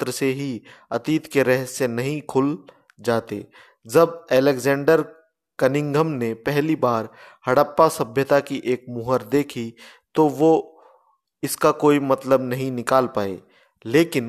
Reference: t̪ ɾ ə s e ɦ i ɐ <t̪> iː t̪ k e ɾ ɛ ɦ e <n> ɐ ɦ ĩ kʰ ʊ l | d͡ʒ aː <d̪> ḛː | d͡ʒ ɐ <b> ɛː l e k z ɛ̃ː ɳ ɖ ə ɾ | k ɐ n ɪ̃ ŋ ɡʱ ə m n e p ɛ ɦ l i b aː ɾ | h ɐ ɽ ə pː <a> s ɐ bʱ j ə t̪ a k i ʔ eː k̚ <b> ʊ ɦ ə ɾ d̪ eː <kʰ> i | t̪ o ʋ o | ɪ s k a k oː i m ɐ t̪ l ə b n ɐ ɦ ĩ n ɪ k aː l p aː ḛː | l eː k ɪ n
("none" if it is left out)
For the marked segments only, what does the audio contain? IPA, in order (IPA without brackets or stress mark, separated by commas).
t̪, n, t̪, b, a, m, kʰ